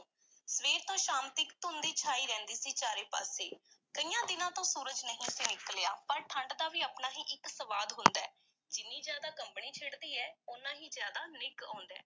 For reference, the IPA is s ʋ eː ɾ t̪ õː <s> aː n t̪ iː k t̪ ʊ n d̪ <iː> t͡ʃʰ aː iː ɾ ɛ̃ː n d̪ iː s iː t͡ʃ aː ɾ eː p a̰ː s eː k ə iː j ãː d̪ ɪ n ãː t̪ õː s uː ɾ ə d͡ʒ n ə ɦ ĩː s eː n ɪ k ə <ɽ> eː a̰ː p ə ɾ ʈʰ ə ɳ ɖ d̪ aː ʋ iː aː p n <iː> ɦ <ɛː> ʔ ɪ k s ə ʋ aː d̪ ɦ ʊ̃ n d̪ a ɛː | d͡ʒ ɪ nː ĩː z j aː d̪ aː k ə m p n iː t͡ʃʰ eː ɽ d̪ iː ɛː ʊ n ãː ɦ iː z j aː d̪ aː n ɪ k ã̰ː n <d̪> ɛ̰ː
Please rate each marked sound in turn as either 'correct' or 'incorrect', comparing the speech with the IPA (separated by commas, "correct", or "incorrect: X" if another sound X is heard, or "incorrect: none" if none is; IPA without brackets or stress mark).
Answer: incorrect: ʃ, correct, incorrect: l, incorrect: aː, incorrect: iː, correct